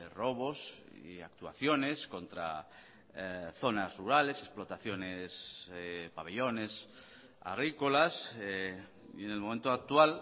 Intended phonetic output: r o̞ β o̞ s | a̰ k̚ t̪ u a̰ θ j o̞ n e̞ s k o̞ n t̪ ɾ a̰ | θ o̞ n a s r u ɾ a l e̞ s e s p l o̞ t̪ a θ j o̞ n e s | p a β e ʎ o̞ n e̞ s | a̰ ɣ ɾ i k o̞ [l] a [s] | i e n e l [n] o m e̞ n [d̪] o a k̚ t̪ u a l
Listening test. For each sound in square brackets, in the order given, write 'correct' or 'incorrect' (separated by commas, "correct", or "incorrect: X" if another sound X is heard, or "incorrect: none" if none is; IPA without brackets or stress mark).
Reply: correct, correct, incorrect: m, incorrect: t̪